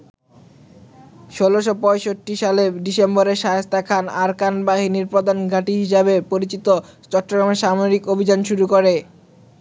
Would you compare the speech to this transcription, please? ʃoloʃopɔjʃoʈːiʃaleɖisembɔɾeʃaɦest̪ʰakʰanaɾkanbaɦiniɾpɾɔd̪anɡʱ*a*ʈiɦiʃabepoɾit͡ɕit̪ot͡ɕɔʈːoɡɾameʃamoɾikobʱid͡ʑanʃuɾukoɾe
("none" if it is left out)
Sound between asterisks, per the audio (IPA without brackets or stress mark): a